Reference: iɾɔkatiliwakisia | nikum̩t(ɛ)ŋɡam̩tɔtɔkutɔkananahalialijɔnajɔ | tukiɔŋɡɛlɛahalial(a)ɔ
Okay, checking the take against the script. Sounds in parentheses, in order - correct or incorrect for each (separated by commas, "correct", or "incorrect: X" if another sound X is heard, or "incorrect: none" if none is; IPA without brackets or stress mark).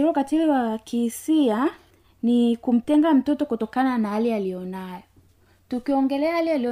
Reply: correct, incorrect: i